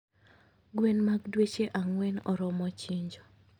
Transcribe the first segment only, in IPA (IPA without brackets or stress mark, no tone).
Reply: ɡ